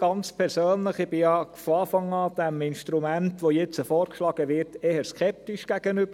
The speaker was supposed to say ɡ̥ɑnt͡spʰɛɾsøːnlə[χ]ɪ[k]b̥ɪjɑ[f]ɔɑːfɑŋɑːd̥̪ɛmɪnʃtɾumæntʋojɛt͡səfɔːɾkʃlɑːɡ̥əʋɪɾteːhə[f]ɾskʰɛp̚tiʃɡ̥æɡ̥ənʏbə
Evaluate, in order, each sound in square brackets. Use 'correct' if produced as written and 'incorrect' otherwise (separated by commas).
correct, incorrect, correct, incorrect